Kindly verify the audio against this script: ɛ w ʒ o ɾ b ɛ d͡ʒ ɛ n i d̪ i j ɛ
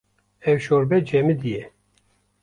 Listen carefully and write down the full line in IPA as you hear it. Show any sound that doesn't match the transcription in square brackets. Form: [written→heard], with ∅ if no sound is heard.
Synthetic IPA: ɛ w [ʒ→ʃ] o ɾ b ɛ d͡ʒ ɛ [n→m] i d̪ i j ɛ